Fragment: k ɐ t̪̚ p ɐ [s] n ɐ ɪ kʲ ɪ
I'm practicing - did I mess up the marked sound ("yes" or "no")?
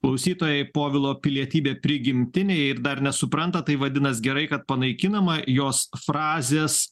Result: yes